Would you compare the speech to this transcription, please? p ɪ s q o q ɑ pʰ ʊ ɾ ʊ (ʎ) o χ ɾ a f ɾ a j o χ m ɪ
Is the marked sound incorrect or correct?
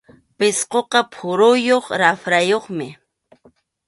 incorrect